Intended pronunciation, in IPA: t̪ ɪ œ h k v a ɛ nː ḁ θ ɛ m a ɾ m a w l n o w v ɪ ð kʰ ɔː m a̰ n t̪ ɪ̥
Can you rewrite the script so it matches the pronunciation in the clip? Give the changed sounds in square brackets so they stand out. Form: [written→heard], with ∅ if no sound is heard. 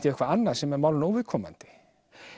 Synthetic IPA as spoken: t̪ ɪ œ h k v a [ɛ→a] nː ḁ [θ→s] ɛ m [a→ɛ] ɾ m a w l n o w v ɪ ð kʰ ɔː m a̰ n t̪ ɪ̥